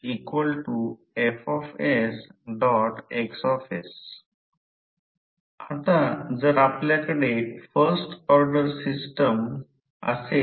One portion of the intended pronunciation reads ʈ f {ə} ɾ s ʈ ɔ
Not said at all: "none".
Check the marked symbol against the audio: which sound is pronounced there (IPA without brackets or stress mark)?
ə